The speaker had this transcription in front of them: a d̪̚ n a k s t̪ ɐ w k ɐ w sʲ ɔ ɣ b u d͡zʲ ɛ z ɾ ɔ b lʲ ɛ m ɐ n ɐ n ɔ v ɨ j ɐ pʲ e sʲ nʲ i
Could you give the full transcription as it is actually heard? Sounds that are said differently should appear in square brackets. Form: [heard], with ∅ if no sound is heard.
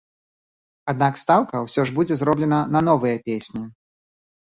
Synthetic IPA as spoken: a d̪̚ n a k s t̪ [a] w k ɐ w sʲ ɔ [ʐ] b u d͡zʲ ɛ z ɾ ɔ b lʲ ɛ [n] ɐ n ɐ n ɔ v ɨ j ɐ pʲ e sʲ nʲ i